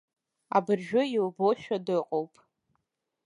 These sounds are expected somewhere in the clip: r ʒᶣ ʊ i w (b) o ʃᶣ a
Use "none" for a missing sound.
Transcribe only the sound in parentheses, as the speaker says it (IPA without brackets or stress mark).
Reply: b